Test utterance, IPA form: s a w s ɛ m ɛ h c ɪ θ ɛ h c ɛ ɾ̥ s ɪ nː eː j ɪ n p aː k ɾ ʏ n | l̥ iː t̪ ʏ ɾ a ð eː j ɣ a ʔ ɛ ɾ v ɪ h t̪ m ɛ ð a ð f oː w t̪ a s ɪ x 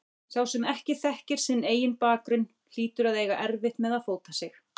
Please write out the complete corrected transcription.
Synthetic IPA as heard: s a w s ɛ m ɛ h c ɪ θ ɛ h c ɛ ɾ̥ s ɪ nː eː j ɪ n p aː k ɾ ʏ n | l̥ iː t̪ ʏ ɾ a ð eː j ɣ a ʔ ɛ ɾ v ɪ h t̪ m ɛ ð a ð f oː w t̪ a s ɪ x